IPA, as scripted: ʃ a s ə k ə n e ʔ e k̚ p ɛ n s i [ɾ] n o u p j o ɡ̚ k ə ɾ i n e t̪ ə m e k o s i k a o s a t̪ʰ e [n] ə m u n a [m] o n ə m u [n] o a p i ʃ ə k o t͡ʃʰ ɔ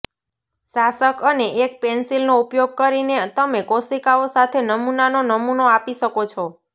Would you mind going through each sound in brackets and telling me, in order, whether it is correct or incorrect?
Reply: incorrect: l, correct, incorrect: n, correct

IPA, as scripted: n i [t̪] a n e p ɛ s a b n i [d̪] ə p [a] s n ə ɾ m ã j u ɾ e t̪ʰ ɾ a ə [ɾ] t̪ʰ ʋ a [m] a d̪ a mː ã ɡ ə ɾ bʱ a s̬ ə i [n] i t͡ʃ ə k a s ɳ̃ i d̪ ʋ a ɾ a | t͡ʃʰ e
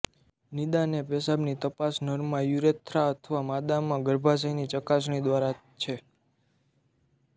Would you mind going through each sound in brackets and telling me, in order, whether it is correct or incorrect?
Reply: incorrect: d̪, incorrect: t̪, correct, incorrect: none, correct, correct

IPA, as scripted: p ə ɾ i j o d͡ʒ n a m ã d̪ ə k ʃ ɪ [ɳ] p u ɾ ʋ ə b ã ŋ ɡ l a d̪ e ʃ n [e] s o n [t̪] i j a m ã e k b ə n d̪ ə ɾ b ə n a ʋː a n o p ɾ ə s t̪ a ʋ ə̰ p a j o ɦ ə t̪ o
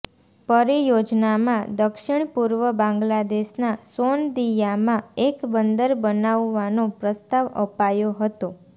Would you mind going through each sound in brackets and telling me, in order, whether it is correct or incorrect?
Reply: correct, incorrect: a, incorrect: d̪

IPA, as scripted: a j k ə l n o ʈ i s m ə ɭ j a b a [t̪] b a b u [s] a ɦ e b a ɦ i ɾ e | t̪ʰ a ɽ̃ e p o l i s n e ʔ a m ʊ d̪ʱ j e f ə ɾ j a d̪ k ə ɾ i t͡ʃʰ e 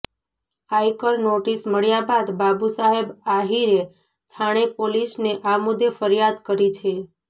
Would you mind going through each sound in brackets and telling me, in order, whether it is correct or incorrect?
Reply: incorrect: d̪, correct

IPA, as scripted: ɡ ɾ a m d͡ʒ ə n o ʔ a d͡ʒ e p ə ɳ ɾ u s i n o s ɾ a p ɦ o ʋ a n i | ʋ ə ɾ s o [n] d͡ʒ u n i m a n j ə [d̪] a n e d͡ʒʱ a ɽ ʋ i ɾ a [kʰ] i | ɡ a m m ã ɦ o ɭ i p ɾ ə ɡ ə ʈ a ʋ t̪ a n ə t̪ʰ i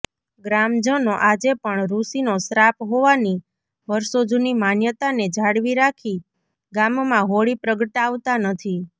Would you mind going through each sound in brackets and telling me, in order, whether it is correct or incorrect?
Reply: incorrect: none, incorrect: t̪, correct

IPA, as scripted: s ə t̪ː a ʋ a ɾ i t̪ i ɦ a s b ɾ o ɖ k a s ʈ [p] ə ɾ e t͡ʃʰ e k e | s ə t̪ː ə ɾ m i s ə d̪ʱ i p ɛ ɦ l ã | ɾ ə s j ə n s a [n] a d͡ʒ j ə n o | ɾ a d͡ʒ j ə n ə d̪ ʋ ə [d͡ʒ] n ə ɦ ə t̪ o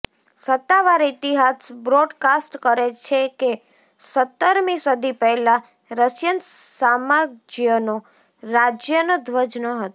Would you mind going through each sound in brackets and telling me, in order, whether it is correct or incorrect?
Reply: incorrect: k, incorrect: m, correct

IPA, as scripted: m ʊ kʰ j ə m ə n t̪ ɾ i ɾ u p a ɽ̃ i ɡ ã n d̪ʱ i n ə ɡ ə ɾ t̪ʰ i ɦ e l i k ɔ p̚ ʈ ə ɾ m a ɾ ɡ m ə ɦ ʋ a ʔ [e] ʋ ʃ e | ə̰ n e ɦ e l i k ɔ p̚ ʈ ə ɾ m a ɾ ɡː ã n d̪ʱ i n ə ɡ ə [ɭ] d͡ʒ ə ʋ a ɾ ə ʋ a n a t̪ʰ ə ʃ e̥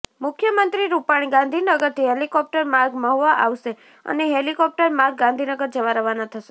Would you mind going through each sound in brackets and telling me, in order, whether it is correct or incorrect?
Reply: incorrect: a, incorrect: ɾ

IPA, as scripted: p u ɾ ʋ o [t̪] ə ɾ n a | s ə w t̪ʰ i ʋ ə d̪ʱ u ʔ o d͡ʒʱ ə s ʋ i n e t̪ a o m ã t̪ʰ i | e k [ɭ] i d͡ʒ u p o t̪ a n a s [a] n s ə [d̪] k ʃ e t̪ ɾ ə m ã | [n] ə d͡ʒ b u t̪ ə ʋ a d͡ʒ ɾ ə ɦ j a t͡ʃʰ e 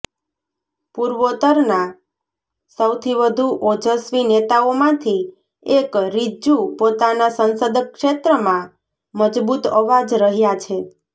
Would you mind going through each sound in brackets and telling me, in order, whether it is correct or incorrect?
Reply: correct, incorrect: ɾ, incorrect: ə, correct, incorrect: m

